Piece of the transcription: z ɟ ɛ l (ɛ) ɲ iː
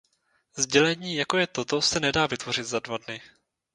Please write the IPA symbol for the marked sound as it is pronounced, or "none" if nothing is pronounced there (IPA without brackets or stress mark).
ɛ